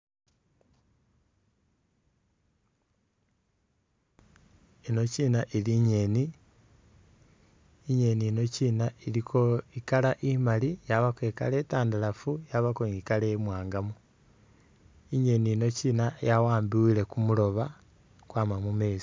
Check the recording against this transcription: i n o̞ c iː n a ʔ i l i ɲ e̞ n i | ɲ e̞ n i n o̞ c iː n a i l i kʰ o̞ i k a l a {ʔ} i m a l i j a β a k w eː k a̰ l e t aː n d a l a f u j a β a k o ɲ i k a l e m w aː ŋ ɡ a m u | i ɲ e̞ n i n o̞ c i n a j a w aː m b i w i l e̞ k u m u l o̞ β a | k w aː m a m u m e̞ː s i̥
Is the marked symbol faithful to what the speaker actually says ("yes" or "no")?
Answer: yes